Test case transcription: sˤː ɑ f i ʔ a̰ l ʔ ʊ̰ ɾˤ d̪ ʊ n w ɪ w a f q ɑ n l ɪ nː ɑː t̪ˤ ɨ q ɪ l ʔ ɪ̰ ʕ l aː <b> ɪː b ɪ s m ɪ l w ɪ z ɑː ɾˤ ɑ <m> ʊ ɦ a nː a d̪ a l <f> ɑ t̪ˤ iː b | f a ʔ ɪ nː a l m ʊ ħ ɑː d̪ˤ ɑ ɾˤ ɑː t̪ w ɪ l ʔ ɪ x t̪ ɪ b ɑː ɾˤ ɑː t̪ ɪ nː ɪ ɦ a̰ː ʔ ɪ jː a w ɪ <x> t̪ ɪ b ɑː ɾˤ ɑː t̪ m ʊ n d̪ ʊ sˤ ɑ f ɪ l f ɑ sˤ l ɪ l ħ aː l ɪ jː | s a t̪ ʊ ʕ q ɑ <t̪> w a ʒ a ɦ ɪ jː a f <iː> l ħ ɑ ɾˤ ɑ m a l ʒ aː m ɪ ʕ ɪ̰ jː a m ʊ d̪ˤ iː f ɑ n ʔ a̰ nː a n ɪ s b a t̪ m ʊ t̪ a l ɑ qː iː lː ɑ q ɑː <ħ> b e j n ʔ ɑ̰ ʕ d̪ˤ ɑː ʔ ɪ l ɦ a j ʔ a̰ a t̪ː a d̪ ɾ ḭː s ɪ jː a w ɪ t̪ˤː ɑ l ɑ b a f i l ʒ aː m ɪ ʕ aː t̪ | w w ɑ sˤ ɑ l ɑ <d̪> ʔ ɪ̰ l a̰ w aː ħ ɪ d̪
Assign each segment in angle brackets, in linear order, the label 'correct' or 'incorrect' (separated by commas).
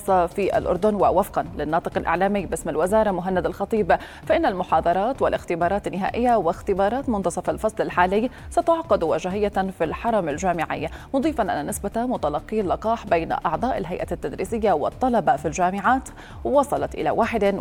incorrect, correct, incorrect, correct, incorrect, incorrect, correct, incorrect